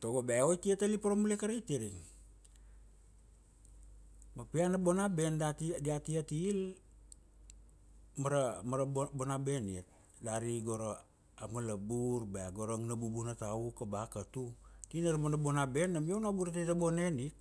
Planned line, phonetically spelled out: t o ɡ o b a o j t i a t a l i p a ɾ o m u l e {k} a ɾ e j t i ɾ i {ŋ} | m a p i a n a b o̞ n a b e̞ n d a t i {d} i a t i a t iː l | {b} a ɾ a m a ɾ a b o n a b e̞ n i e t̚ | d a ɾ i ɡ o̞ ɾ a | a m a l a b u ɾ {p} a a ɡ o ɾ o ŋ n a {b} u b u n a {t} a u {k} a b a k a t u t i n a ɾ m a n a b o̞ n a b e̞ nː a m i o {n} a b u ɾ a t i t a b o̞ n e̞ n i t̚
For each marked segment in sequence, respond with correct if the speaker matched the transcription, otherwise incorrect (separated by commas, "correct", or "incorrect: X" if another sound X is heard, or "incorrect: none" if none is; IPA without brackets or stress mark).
correct, correct, correct, incorrect: m, incorrect: b, correct, correct, correct, correct